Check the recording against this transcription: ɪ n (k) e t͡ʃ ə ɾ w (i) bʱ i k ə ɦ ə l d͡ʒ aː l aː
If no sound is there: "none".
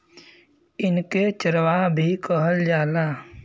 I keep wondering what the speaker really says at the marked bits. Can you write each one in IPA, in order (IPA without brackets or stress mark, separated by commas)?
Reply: k, a